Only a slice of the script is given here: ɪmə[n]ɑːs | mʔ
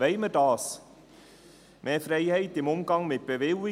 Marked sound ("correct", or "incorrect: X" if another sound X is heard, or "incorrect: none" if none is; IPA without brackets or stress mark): incorrect: d